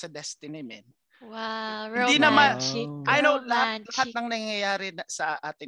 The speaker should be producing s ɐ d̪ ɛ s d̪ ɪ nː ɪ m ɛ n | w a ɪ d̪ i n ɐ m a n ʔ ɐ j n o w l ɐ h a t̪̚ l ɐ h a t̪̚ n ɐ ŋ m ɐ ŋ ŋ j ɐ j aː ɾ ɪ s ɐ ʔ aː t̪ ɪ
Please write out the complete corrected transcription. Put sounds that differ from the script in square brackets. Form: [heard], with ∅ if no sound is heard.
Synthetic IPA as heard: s ɐ d̪ ɛ s [t̪] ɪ [n] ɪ m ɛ n | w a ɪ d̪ i n ɐ m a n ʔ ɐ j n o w l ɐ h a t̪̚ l ɐ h a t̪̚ n ɐ ŋ [n] ɐ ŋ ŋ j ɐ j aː ɾ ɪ s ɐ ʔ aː t̪ ɪ